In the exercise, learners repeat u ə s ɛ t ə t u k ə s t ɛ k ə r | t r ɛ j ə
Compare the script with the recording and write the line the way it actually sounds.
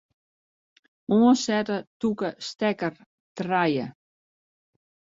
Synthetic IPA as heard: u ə s ɛ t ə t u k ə s t ɛ k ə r | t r a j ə

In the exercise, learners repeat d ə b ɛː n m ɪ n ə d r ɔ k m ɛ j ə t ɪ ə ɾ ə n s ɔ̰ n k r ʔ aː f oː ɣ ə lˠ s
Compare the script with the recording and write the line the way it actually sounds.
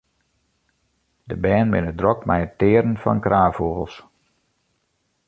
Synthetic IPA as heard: d ə b ɛː n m ɪ n ə d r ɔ k m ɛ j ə t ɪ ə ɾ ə n f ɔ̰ n k r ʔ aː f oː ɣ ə lˠ s

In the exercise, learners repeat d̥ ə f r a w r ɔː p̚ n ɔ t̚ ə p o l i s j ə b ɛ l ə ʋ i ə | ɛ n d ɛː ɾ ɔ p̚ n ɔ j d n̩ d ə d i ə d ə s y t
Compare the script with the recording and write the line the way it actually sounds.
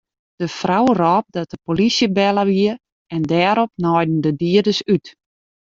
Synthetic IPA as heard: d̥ ə f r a w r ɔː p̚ d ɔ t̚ ə p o l i s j ə b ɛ l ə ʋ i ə | ɛ n d ɛː ɾ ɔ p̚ n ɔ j d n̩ d ə d i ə d ə s y t

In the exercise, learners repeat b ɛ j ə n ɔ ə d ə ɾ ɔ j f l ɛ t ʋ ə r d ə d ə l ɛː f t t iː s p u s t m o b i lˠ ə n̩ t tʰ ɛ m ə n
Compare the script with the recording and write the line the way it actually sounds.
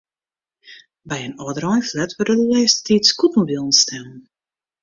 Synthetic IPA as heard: b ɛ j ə n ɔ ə d ə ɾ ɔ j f l ɛ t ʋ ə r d ə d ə l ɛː s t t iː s k u t m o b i lˠ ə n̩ s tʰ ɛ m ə n

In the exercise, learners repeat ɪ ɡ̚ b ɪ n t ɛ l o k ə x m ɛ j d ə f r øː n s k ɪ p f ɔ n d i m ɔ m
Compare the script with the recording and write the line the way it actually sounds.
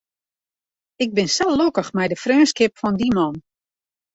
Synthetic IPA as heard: ɪ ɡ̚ b ɪ n s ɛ l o k ə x m ɛ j d ə f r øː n s k ɪ p f ɔ n d i m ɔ n

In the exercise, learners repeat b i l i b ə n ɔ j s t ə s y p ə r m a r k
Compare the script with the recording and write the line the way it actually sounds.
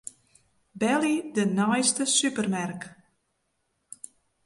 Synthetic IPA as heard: b ɛ l i d ə n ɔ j s t ə s y p ə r m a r k

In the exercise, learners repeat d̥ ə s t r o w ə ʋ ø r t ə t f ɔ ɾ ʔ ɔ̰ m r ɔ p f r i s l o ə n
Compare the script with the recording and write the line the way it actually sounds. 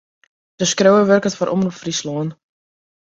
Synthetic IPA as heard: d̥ ə s k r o w ə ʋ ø r k ə t f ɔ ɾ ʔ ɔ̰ m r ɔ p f r i s l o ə n

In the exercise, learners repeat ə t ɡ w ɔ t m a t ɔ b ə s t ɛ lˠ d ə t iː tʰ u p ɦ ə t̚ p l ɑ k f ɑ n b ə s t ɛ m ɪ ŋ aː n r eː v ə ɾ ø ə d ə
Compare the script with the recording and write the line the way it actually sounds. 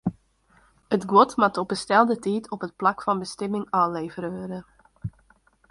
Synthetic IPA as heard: ə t ɡ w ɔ t m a t ɔ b ə s t ɛ lˠ d ə t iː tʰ ɔ p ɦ ə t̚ p l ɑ k f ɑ n b ə s t ɛ m ɪ ŋ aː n l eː v ə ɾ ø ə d ə

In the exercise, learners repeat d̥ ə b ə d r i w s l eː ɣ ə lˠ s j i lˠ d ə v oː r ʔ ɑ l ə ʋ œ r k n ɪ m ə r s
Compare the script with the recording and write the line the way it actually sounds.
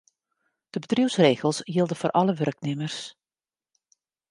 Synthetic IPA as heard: d̥ ə b ə d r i w s r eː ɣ ə lˠ s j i lˠ d ə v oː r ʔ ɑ l ə ʋ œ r k n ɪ m ə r s

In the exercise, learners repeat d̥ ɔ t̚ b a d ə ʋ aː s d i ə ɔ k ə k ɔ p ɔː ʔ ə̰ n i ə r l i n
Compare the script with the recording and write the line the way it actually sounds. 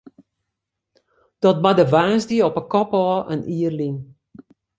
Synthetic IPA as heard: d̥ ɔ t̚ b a d ə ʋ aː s d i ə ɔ p ə k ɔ p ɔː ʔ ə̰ n i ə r l i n

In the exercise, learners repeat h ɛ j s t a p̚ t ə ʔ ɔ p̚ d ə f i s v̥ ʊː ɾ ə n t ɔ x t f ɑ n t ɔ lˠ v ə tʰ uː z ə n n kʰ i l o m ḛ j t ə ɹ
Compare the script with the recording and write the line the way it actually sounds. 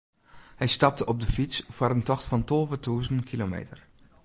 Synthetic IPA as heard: h ɛ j s t ɑ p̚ t ə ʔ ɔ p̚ d ə f i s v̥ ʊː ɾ ə n t ɔ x t f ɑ n t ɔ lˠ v ə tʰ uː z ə n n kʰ i l o m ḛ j t ə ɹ

